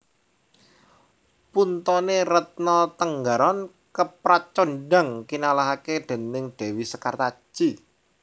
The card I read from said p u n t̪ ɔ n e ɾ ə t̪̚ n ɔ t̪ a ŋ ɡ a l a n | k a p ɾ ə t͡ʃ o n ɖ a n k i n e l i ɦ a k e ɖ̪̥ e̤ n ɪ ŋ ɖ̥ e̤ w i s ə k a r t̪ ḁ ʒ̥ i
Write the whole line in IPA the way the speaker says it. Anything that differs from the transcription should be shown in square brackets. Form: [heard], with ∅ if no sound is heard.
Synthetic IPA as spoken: p u n t̪ ɔ n e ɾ ə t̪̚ n ɔ t̪ [ə] ŋ ɡ a [ɾ] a n | k [ə] p ɾ [a] t͡ʃ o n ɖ a [ŋ] k i n [a] l [a] ɦ a k e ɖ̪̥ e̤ n ɪ ŋ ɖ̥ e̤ w i s ə k a r t̪ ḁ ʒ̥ i